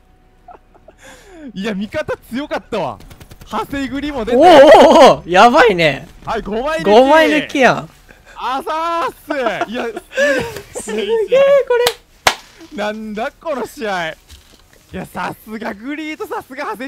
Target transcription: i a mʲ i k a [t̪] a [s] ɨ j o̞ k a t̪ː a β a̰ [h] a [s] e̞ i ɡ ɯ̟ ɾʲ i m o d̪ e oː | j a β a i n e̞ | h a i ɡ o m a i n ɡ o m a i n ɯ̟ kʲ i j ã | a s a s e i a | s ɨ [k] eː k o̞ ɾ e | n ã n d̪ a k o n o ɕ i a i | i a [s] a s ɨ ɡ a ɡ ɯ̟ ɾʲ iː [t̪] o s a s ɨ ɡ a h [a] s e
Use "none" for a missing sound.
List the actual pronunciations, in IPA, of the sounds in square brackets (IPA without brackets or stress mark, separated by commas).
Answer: t̪, t͡s, h, s, ɡ, s, t̪, a